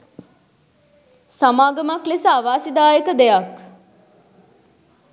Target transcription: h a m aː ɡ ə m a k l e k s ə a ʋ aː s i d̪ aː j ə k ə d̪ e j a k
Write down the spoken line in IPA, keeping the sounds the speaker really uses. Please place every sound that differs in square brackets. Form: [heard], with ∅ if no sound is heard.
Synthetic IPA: [s] a m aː ɡ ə m a k l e [∅] s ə a ʋ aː s i d̪ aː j ə k ə d̪ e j a k